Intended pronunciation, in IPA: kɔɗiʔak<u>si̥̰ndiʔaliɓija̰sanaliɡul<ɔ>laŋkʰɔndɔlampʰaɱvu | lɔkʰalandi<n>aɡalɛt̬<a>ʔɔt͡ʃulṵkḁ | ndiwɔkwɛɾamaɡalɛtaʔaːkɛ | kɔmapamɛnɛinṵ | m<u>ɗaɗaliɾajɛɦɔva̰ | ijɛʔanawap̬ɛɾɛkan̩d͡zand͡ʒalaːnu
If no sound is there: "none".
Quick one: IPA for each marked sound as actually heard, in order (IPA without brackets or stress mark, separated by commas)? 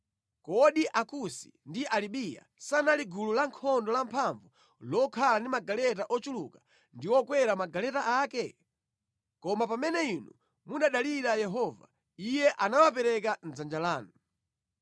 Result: u, u, m, a, u